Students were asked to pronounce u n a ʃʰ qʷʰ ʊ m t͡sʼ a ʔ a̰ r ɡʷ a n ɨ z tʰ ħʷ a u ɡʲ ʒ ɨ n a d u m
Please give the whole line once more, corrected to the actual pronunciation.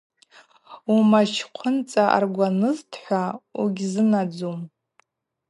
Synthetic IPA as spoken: u m a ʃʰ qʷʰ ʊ n t͡sʼ a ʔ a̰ r ɡʷ a n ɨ z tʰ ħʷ a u ɡʲ z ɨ n a d͡z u m